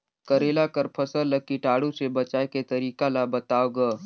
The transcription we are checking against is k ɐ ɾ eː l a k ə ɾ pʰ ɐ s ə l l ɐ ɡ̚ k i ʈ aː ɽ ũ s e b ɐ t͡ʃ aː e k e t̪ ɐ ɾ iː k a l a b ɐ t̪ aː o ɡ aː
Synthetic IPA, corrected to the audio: k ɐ ɾ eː l a k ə ɾ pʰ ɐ s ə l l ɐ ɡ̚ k i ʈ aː ɽ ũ s e b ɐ t͡ʃ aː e k e t̪ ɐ ɾ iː k a l a b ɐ t̪ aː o ɡ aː